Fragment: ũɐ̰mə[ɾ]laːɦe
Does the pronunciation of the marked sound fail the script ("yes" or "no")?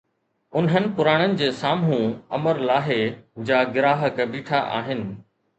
no